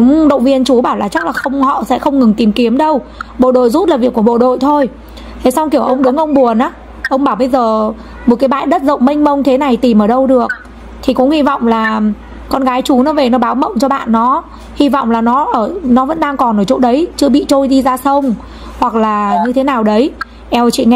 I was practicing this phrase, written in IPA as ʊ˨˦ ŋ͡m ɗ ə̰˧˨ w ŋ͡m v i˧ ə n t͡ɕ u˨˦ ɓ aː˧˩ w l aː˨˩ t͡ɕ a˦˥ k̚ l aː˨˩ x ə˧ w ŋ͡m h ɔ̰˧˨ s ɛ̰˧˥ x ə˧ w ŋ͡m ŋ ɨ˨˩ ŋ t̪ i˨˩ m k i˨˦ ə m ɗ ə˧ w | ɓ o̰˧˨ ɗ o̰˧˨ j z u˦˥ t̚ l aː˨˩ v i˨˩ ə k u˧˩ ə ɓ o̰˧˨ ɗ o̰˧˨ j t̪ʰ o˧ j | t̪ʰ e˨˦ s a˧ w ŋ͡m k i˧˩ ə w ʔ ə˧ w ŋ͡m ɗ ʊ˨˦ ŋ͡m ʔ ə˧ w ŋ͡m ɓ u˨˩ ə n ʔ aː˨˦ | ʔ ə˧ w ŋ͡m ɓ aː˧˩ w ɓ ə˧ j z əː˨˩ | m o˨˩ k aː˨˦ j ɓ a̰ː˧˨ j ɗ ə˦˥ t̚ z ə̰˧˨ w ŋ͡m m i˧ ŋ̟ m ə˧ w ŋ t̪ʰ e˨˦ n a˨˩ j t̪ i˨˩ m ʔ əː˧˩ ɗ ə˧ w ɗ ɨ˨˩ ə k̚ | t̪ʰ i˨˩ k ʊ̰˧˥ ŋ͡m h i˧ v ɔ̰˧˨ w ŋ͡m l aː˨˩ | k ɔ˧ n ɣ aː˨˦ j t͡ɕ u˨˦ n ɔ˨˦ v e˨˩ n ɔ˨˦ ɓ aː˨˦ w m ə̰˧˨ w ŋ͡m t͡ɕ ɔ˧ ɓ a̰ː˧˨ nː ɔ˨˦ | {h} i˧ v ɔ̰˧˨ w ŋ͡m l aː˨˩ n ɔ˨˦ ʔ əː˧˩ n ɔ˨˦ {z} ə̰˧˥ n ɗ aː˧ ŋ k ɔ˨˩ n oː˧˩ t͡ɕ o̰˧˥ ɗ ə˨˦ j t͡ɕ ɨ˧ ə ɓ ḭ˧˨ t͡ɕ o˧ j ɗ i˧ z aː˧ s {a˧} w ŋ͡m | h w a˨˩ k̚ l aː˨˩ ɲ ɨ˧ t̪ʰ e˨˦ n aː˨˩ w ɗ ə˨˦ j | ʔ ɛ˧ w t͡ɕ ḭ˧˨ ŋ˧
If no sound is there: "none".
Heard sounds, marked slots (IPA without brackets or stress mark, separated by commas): h, v, ə˧